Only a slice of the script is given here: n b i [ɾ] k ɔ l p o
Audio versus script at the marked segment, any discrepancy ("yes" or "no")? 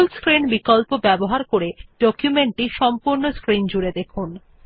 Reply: yes